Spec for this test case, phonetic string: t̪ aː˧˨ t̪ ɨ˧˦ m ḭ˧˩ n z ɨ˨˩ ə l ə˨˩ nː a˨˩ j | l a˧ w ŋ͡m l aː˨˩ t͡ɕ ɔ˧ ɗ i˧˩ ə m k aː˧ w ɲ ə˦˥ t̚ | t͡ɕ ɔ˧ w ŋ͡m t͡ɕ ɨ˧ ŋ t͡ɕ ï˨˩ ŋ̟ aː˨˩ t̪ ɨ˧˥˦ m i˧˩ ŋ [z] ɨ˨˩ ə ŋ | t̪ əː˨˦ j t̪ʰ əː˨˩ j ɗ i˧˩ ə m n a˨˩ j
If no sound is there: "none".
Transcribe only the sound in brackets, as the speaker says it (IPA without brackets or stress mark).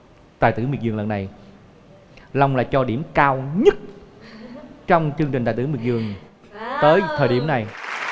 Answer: z